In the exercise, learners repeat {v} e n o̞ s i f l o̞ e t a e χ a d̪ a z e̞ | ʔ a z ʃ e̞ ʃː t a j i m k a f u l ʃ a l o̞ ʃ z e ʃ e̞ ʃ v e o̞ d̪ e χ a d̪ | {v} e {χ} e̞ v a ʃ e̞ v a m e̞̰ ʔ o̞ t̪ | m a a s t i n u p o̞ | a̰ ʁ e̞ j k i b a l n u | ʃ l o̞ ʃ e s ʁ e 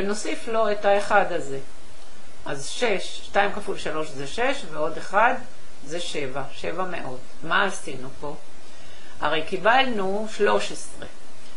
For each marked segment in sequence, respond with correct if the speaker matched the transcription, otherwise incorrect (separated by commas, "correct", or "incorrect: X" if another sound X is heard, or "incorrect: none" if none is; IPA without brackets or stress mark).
correct, incorrect: z, incorrect: ʃ